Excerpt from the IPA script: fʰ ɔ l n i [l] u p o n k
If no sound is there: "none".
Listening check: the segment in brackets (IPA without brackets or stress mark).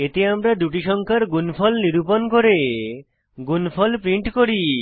ɾ